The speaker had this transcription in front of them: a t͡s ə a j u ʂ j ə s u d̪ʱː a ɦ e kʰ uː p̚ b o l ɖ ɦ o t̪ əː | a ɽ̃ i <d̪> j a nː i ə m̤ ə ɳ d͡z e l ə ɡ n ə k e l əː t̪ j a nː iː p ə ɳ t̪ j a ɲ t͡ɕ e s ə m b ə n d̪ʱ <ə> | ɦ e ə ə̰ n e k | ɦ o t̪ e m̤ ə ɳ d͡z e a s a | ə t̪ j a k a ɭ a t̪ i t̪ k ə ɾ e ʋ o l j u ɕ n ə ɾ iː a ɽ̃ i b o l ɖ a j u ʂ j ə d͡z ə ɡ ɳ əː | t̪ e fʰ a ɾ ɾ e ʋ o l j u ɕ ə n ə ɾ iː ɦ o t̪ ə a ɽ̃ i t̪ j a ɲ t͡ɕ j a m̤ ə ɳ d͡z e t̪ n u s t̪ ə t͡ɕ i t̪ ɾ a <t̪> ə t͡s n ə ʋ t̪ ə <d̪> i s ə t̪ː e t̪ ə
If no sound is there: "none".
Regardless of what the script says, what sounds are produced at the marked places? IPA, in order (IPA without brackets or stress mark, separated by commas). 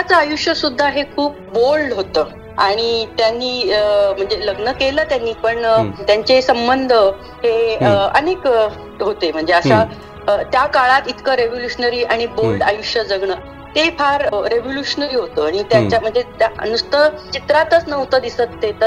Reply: t̪, ə, t̪, d̪